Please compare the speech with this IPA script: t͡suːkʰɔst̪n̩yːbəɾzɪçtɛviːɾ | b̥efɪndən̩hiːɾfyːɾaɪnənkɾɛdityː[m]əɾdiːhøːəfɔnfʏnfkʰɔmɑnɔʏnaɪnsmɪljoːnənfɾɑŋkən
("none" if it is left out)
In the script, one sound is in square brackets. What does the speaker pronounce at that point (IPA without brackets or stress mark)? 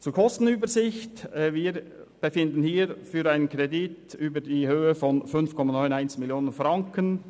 b